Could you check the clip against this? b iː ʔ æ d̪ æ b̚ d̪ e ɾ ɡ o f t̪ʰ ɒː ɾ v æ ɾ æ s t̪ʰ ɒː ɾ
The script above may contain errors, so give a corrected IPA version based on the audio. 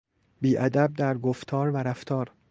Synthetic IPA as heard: b iː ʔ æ d̪ æ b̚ d̪ æ ɾ ɡ o f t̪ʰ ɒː ɾ v æ ɾ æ f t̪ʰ ɒː ɾ